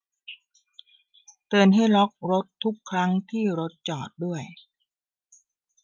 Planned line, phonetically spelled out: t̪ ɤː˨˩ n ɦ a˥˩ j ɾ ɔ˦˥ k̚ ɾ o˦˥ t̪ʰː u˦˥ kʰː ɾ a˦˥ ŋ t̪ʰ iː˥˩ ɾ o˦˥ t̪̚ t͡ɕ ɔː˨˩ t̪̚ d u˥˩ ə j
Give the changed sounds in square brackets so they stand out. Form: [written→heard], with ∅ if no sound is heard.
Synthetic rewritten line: t̪ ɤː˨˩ n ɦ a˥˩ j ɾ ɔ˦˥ k̚ ɾ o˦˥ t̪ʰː u˦˥ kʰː ɾ a˦˥ ŋ t̪ʰ iː˥˩ ɾ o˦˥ t̪̚ t͡ɕ ɔː˨˩ t̪̚ d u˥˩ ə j